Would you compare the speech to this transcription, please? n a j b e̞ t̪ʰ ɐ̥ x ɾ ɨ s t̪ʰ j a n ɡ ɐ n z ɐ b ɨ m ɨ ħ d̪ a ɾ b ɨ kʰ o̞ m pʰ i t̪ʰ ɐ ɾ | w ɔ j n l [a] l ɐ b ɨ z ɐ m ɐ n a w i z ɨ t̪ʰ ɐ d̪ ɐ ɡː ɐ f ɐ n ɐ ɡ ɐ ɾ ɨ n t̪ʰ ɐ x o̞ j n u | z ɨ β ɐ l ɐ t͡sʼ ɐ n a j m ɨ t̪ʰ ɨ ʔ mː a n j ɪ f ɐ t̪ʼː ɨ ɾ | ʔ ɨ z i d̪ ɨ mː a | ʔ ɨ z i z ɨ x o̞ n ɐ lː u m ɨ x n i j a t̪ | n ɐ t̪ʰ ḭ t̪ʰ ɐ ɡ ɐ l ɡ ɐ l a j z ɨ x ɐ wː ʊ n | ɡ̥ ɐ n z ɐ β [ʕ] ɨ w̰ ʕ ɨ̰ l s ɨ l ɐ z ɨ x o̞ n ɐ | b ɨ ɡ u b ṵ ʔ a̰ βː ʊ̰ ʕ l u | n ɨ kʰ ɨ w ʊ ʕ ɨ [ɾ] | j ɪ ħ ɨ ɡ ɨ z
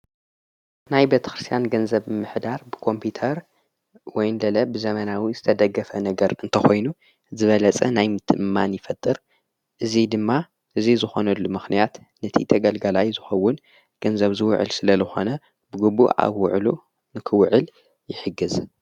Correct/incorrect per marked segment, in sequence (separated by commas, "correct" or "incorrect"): incorrect, incorrect, incorrect